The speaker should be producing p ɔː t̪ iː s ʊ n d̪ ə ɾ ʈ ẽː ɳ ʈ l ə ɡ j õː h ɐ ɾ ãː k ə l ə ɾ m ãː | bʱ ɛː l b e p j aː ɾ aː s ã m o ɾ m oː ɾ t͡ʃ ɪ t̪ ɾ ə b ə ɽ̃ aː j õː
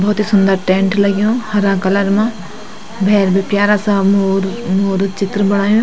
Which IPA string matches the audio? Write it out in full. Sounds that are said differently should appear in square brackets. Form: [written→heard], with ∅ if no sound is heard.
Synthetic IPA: [p→b] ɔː t̪ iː s ʊ n d̪ ə ɾ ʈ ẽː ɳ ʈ l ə ɡ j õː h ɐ ɾ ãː k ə l ə ɾ m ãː | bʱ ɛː [l→ɾ] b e p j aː ɾ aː s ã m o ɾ m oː ɾ t͡ʃ ɪ t̪ ɾ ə b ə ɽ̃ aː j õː